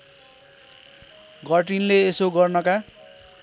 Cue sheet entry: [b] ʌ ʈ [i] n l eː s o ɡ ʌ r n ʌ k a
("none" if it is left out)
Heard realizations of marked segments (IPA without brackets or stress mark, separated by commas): ɡ, i